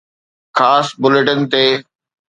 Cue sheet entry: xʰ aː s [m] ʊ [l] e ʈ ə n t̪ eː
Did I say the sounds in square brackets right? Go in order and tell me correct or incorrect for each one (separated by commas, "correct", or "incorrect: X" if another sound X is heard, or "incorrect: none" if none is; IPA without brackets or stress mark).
incorrect: b, correct